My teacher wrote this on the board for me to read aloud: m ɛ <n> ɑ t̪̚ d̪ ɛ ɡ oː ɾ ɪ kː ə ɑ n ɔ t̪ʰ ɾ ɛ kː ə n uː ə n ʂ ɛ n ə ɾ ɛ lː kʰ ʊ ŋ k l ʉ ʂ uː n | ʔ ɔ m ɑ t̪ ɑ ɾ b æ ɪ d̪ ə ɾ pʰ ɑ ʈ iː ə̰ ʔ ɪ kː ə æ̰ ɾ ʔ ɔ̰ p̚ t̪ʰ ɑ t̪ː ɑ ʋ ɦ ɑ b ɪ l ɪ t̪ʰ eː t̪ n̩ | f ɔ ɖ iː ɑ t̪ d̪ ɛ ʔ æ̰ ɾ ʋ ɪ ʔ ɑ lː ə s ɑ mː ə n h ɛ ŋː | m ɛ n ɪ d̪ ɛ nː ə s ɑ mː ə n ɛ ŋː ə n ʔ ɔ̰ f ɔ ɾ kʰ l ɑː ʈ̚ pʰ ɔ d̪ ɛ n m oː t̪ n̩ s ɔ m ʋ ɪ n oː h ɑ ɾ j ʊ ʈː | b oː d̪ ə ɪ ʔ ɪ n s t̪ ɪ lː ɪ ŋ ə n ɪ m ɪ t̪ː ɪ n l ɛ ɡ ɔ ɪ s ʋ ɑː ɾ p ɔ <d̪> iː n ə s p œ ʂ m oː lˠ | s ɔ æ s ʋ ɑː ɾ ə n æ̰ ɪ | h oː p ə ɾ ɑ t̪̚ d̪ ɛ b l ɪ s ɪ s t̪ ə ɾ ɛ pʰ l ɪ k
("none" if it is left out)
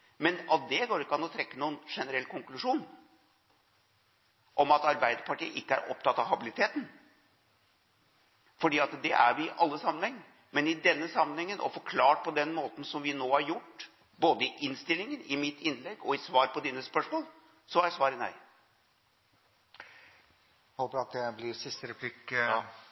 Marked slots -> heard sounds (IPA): n, d̪

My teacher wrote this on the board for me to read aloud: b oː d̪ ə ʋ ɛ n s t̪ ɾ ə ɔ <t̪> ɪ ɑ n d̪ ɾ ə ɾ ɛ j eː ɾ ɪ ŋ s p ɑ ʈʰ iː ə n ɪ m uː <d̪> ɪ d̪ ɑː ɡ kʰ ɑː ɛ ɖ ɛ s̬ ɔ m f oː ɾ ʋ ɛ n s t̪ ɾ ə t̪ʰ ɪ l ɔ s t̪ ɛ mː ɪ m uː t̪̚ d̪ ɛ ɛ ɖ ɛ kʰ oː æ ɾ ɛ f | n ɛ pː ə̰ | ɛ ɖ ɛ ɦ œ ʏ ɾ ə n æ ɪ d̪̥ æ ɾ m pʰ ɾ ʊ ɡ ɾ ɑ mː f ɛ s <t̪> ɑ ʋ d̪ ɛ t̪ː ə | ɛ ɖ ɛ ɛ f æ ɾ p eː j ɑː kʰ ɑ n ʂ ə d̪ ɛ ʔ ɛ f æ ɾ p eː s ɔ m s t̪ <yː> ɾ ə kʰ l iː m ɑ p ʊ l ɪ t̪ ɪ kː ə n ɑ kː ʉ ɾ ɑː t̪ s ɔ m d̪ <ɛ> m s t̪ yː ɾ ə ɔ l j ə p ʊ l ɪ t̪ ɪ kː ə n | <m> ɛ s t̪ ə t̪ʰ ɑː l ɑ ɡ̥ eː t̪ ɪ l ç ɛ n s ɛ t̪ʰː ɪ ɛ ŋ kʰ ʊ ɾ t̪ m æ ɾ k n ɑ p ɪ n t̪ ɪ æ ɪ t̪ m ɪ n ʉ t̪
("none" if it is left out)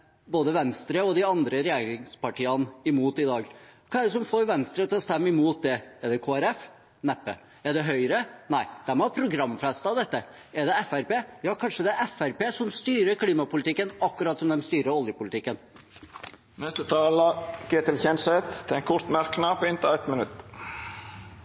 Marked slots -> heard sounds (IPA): d̪, t̪, t̪, yː, ɛ, n

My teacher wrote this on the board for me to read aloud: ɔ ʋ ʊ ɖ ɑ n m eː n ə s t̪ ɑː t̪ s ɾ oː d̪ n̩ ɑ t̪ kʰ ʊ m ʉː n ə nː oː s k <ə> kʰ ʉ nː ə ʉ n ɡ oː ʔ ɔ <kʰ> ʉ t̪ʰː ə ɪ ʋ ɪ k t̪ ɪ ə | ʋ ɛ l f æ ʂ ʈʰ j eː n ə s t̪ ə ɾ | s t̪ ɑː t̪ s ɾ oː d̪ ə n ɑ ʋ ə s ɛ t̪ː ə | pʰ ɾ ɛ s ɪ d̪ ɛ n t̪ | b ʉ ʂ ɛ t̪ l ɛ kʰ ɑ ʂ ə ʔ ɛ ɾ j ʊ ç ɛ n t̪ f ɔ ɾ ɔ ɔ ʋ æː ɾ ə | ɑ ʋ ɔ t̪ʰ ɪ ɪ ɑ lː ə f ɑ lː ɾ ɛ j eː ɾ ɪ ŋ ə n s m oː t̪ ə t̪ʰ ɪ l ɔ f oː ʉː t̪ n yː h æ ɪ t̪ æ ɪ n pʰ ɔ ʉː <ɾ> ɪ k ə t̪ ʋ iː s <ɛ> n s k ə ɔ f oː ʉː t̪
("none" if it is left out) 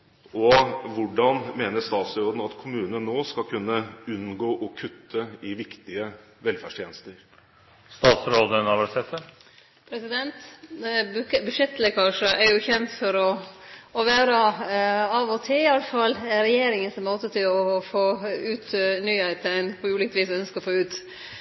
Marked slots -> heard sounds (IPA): ɑ, kʰ, l, œ

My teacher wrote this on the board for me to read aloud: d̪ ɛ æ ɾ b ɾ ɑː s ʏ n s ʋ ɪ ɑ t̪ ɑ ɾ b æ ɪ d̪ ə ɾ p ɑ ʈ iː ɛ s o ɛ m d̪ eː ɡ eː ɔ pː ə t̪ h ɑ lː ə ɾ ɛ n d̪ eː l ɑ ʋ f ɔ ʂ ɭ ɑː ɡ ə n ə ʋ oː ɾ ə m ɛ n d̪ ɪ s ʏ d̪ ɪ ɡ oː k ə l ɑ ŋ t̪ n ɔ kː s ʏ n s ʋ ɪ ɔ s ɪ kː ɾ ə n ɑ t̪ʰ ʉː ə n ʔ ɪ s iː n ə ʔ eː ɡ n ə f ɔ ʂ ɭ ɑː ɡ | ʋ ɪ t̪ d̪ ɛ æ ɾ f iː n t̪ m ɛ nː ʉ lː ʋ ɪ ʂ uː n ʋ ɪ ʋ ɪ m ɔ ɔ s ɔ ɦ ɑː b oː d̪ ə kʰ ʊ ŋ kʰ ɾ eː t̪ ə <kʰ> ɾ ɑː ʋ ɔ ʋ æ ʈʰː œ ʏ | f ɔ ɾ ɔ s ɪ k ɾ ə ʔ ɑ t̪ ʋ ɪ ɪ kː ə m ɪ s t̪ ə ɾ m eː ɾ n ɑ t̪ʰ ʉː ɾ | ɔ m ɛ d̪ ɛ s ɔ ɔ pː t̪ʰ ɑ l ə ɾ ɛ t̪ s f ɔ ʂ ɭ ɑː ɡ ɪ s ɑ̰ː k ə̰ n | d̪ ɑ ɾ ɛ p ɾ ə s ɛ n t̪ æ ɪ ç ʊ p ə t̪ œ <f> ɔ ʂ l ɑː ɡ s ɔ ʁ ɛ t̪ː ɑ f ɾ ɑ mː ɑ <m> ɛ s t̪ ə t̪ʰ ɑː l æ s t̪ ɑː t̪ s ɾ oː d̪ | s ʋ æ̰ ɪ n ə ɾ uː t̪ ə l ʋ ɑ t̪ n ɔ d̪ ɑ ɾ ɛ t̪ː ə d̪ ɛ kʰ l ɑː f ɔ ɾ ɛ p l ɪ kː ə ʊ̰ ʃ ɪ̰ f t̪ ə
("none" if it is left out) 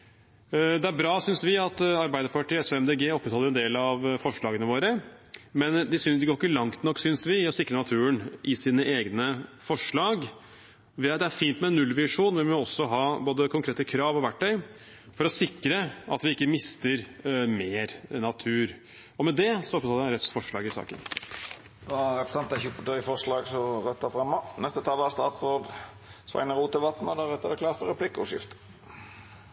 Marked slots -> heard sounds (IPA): kʰ, f, n

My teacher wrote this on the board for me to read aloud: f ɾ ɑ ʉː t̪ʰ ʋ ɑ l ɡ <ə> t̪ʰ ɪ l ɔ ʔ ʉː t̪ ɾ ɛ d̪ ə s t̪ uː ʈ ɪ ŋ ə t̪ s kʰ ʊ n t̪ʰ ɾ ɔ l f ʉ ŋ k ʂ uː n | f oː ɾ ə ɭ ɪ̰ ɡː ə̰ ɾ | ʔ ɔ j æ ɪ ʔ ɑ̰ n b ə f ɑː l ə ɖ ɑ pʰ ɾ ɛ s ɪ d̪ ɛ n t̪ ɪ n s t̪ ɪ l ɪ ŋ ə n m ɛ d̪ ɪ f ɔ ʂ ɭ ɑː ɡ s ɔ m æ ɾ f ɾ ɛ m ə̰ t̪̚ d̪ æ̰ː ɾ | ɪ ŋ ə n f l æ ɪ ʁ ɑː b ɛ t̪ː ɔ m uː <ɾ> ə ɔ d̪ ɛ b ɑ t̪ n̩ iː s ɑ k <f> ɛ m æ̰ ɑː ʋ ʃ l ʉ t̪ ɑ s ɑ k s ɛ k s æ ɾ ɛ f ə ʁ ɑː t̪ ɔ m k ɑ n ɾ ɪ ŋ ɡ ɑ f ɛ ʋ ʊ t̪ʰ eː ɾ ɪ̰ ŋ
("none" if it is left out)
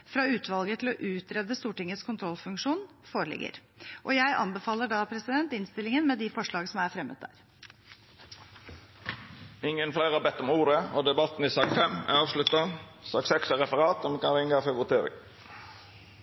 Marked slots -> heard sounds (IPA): ə, ɾ, f

